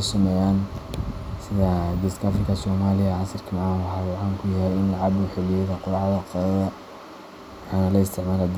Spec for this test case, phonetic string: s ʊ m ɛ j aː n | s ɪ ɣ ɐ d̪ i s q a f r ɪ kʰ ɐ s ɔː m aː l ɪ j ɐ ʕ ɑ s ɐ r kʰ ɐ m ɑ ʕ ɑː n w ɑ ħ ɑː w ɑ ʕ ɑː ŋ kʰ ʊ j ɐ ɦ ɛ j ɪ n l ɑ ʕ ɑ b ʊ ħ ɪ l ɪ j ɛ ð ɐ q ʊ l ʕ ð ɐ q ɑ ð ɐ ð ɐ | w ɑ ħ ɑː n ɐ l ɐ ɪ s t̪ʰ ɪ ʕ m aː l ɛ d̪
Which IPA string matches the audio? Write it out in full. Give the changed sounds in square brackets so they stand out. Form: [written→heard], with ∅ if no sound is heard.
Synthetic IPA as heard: s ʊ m ɛ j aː n | s ɪ [ɣ→ð] ɐ d̪ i s [q→k] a f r ɪ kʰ ɐ s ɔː m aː l ɪ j ɐ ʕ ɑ s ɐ r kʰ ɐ m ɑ ʕ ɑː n w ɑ ħ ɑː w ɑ ʕ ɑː ŋ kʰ ʊ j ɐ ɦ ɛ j ɪ n l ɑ ʕ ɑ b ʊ ħ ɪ l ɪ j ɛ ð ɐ q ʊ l ʕ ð ɐ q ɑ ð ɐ ð ɐ | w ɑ ħ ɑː n ɐ l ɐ ɪ s t̪ʰ ɪ ʕ m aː l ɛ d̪